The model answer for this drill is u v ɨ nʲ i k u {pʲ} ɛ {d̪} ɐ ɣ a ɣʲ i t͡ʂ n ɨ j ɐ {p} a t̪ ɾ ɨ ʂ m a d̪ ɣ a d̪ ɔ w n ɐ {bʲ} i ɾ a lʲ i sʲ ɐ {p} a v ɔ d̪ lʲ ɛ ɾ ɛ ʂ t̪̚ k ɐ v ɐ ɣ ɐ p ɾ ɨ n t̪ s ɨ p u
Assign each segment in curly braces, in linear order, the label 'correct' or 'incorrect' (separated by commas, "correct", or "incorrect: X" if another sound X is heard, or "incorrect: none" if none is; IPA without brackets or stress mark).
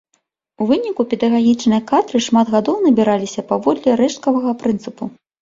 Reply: correct, correct, incorrect: k, correct, correct